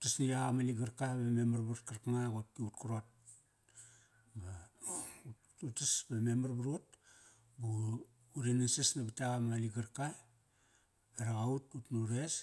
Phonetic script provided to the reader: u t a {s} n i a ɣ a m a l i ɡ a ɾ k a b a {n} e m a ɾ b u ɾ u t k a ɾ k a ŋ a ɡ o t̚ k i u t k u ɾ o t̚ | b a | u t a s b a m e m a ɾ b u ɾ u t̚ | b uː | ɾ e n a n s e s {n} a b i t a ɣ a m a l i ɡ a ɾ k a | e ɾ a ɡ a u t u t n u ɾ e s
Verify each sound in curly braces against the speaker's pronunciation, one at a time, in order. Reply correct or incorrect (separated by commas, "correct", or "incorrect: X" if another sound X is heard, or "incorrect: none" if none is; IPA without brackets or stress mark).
correct, incorrect: m, correct